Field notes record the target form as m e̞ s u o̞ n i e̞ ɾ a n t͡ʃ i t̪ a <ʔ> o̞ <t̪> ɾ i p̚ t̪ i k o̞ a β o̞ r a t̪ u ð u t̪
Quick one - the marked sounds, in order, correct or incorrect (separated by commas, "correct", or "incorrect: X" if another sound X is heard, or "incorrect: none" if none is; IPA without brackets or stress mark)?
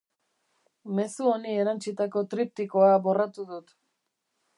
incorrect: k, correct